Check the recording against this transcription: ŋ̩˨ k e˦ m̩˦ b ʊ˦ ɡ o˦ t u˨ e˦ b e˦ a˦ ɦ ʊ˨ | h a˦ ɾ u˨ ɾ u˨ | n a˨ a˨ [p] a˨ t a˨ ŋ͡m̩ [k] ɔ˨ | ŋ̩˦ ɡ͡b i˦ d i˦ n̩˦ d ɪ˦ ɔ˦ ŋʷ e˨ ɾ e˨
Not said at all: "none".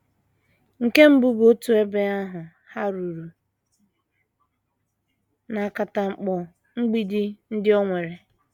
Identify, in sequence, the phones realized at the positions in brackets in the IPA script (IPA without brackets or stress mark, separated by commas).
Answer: k, k͡p